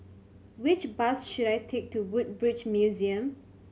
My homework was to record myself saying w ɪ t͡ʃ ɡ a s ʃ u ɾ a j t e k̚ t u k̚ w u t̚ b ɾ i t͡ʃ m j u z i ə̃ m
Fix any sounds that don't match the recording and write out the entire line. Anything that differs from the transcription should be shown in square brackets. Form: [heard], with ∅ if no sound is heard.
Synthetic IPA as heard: w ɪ t͡ʃ [b] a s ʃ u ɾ a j [tʰ] e k̚ t u [∅] w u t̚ b [ɹ] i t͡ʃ m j u z i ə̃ m